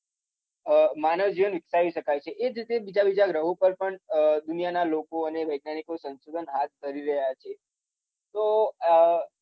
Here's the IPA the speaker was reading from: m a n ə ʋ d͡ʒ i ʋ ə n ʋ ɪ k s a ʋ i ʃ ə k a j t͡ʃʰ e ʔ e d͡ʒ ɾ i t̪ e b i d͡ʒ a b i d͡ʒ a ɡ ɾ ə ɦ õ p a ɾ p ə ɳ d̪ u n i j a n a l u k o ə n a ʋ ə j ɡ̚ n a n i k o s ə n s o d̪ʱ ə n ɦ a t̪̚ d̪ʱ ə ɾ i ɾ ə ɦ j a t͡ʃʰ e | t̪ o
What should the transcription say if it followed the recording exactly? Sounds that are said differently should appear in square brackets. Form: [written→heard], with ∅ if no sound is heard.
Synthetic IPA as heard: m a n ə ʋ d͡ʒ i ʋ ə n ʋ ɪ k s a ʋ i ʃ ə k a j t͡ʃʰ e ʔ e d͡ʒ ɾ i t̪ e b i d͡ʒ a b i d͡ʒ a ɡ ɾ ə ɦ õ p [a→ə] ɾ p ə ɳ d̪ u n i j a n a l [u→o] k o ə n [a→e] ʋ ə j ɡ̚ n a n i k o s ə n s o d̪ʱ ə n ɦ a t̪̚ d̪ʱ ə ɾ i ɾ ə ɦ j a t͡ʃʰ e | t̪ o

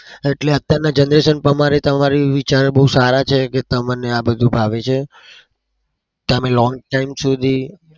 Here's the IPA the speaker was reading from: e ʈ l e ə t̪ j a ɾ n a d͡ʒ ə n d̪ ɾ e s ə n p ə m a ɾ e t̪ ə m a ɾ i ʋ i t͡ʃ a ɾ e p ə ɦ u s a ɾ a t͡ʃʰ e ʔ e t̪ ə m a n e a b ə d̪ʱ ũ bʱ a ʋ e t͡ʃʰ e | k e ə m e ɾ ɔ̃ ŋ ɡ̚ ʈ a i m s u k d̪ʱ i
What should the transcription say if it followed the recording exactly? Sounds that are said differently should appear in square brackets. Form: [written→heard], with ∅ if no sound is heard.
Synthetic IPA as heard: e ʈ l e ə t̪ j a ɾ n a d͡ʒ ə n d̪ ɾ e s ə n p ə m a ɾ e t̪ ə m a ɾ i ʋ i t͡ʃ a ɾ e [p→b] ə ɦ u s a ɾ a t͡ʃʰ e [ʔ→k] e t̪ ə m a n e a b ə d̪ʱ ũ bʱ a ʋ e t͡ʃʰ e | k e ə m e [ɾ→l] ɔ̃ ŋ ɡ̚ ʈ a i m s u [k→∅] d̪ʱ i

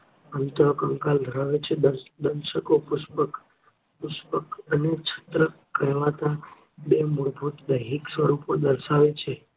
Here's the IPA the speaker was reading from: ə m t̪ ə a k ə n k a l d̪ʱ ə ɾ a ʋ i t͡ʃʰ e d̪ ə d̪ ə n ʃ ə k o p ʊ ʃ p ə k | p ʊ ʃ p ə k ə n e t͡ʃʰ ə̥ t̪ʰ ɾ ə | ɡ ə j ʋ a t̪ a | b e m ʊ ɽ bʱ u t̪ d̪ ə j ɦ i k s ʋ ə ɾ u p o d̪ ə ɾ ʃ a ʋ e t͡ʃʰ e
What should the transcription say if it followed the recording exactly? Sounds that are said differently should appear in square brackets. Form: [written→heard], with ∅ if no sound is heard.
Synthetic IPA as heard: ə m t̪ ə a k ə [n→ŋ] k a l d̪ʱ ə ɾ a ʋ [i→e] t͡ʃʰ e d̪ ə d̪ ə n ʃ ə k o p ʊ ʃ p ə k | p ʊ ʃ p ə k ə n e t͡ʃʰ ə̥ [t̪ʰ→t̪] ɾ ə | [ɡ→k] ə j ʋ a t̪ a | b e m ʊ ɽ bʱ u t̪ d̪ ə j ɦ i k s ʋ ə ɾ u p o d̪ ə ɾ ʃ a ʋ e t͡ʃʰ e

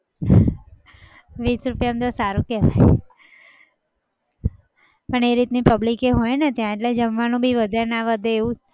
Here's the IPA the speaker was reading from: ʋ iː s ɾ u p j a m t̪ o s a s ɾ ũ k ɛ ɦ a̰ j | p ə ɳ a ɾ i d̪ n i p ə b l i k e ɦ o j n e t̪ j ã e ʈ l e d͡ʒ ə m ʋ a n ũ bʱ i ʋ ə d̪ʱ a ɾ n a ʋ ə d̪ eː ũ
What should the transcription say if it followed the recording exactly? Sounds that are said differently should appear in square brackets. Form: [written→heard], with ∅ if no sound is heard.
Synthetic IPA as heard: ʋ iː s ɾ u p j a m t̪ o s a [s→∅] ɾ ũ k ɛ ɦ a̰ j | p ə ɳ [a→e] ɾ i [d̪→t̪] n i p ə b l i k e ɦ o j n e t̪ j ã e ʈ l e d͡ʒ ə m ʋ a n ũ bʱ i ʋ ə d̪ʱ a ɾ n a ʋ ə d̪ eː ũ

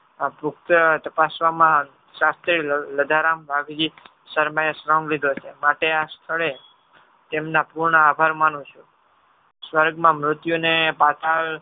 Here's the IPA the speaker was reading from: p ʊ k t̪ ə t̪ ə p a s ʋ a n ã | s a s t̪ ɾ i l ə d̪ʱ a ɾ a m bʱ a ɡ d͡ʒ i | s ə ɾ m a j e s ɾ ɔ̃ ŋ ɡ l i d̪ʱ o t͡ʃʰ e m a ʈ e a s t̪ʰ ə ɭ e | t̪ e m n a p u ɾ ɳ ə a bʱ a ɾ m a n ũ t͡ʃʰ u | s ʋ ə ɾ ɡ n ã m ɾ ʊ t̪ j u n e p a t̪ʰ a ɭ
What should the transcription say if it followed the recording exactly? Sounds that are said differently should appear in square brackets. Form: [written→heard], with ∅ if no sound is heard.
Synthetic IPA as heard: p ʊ k t̪ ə t̪ ə p a s ʋ a [n→m] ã | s a s t̪ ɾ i l ə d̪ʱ a ɾ a m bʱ a ɡ d͡ʒ i | s ə ɾ m a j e s ɾ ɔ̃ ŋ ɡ l i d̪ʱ o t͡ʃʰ e m a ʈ e a s t̪ʰ ə ɭ e | t̪ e m n a p u ɾ ɳ ə a bʱ a ɾ m a n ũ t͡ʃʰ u | s ʋ ə ɾ ɡ [n→m] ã m ɾ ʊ t̪ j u n e p a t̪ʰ a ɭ

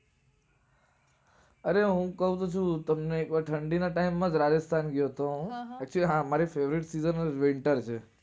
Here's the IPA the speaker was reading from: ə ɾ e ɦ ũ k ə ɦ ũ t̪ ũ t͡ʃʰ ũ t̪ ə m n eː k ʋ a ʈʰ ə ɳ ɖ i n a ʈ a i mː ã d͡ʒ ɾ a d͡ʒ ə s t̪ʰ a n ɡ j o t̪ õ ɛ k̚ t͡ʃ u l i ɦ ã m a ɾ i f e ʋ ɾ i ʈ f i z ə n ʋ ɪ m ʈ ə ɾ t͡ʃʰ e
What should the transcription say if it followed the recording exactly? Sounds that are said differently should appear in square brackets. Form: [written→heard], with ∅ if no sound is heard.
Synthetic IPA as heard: ə ɾ e ɦ ũ k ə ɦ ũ t̪ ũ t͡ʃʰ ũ t̪ ə m n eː k ʋ a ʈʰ ə ɳ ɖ i n a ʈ a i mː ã d͡ʒ ɾ a d͡ʒ ə s t̪ʰ a n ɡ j o t̪ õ ɛ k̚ t͡ʃ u l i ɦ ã m a ɾ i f e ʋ ɾ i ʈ [f→s] i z ə n ʋ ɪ [m→ɳ] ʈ ə ɾ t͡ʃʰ e

